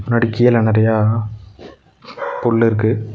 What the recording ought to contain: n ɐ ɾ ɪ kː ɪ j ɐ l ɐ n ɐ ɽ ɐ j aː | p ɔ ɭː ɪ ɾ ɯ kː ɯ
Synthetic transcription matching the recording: n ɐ ɽ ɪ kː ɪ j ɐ l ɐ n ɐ ɾ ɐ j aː | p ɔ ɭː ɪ ɾ ɯ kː ɯ